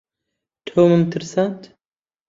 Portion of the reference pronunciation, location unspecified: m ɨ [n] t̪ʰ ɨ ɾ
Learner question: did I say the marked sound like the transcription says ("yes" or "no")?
no